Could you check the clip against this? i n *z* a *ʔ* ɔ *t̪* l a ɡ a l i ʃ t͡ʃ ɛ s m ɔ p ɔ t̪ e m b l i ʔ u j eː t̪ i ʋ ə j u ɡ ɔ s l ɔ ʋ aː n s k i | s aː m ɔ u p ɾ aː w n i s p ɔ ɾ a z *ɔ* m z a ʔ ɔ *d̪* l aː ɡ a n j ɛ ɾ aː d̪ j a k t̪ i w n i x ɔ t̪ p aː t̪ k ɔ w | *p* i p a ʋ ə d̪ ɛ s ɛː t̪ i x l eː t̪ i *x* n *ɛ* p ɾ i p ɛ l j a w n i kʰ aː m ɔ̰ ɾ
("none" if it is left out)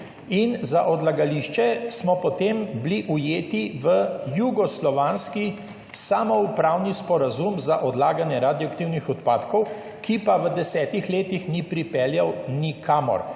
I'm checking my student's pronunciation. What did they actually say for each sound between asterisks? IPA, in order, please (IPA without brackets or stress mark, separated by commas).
z, ʔ, d̪, u, d̪, k, x, i